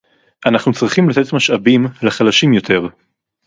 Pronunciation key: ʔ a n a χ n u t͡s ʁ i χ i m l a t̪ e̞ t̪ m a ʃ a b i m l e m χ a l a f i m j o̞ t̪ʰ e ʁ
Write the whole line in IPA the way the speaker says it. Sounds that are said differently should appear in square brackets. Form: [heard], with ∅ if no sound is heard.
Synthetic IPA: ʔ a n a χ n u t͡s ʁ i χ i m l a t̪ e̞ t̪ m a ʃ a b i m l e [∅] χ a l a [ʃ] i m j o̞ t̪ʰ e ʁ